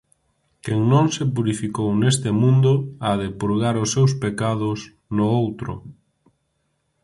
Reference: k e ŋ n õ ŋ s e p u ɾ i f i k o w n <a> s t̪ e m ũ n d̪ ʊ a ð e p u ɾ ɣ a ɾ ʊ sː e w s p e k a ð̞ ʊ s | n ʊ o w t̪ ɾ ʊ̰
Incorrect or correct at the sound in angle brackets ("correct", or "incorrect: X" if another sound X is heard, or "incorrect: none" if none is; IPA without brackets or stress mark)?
incorrect: e